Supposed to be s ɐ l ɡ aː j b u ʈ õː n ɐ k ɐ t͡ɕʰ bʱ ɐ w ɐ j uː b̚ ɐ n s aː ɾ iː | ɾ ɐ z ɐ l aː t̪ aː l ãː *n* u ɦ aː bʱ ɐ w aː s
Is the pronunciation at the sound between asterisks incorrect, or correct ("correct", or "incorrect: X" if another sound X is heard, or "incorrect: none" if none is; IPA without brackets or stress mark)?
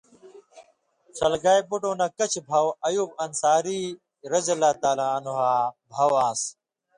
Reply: correct